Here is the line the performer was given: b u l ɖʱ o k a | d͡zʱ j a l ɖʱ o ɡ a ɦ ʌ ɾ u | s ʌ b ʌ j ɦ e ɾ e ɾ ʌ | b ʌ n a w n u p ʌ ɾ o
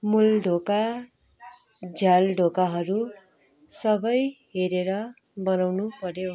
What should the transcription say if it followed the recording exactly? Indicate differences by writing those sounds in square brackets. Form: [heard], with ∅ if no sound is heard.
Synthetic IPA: [m] u l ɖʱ o k a | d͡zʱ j a l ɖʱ o [k] a ɦ ʌ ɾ u | s ʌ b ʌ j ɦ e ɾ e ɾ ʌ | b ʌ n a w n u p ʌ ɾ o